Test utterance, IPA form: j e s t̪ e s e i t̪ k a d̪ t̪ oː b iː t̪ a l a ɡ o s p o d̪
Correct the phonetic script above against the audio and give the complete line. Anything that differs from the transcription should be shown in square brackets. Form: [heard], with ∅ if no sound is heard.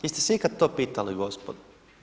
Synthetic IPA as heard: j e s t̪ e s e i [∅] k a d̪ t̪ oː [p] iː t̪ a l [i] ɡ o s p o d̪